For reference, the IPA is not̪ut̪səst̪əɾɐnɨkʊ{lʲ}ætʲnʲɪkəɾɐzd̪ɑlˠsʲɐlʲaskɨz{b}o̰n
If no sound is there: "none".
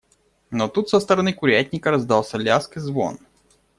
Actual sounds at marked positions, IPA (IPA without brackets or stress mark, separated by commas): ɾʲ, v